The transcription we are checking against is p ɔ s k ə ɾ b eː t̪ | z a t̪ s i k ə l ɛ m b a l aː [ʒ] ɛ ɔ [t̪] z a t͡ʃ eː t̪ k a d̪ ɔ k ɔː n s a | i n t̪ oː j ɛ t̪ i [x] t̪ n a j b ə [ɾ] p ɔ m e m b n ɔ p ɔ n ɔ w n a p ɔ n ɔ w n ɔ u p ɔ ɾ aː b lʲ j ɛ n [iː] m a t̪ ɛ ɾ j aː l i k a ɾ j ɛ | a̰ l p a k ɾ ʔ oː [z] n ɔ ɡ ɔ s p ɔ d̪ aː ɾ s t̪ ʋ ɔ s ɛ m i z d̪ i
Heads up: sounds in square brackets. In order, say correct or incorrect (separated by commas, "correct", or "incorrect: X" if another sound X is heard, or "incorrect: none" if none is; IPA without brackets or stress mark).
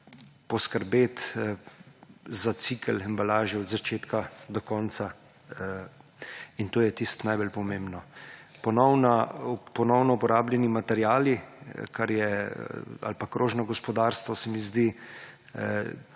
correct, incorrect: d̪, incorrect: s, incorrect: l, incorrect: i, incorrect: ʒ